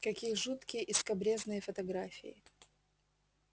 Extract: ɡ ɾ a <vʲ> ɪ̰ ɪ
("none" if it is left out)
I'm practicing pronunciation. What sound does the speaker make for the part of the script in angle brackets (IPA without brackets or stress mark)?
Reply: fʲ